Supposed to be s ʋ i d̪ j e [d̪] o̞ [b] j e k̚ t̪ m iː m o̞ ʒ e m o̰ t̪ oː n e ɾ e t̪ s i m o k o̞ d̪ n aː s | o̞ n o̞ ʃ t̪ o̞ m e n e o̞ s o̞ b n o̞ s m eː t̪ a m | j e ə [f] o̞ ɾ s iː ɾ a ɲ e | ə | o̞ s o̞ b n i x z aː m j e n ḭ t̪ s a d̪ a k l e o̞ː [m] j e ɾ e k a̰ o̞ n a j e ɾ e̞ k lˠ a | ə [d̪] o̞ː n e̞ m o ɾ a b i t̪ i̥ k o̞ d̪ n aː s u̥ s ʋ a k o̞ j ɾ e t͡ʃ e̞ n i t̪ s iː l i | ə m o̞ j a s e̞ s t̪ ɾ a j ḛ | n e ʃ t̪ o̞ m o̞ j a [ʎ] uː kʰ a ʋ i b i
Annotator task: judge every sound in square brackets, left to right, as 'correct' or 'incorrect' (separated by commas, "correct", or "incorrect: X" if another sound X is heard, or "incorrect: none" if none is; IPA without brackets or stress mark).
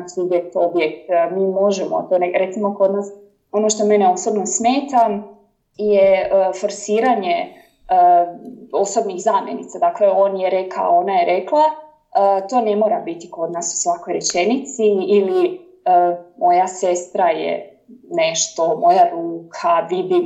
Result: incorrect: t̪, correct, correct, incorrect: n, incorrect: t̪, incorrect: ɾ